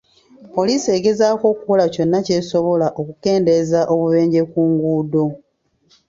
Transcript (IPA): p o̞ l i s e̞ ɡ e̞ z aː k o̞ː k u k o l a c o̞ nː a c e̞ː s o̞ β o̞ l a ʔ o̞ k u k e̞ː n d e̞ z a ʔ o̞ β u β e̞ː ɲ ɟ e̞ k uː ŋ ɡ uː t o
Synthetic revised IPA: p o̞ l i s e̞ ɡ e̞ z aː k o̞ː k u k o l a c o̞ nː a c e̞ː s o̞ β o̞ l a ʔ o̞ k u k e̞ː n d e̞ z a ʔ o̞ β u β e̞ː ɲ ɟ e̞ k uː ŋ ɡ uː d o